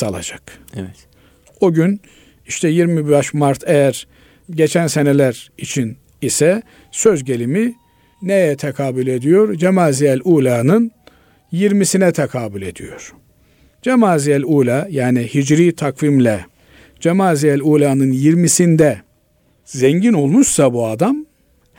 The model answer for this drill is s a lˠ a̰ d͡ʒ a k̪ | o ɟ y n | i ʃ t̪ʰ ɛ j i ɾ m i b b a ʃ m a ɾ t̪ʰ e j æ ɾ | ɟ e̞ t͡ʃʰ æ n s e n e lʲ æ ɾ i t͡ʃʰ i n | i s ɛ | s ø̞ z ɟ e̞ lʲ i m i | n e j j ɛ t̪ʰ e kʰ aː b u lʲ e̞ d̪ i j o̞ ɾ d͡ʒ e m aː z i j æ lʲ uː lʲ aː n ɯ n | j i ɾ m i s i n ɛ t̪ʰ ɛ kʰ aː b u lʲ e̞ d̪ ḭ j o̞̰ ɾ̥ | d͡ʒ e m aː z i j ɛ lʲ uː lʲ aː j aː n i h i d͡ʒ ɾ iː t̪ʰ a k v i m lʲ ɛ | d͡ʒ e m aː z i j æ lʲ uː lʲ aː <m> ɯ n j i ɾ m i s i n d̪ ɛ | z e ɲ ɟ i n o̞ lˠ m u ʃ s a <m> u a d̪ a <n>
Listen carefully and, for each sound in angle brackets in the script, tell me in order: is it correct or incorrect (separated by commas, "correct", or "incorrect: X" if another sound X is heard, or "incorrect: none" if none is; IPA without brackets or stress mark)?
incorrect: n, incorrect: b, incorrect: m